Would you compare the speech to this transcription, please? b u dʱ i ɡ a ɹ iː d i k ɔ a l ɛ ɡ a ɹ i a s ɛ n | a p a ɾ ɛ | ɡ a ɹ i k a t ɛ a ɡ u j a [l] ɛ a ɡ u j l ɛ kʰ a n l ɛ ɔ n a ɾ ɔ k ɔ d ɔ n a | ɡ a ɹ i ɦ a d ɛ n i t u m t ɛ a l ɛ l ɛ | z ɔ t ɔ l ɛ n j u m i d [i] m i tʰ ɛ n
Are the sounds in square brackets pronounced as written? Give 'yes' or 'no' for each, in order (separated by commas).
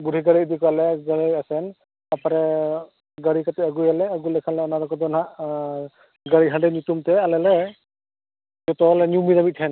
yes, no